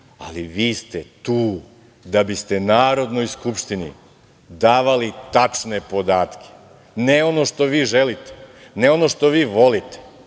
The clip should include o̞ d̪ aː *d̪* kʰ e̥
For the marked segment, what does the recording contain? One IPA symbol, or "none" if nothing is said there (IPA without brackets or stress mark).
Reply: t̪